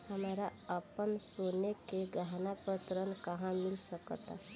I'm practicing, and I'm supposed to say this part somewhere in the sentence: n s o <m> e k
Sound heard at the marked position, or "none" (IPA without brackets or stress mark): n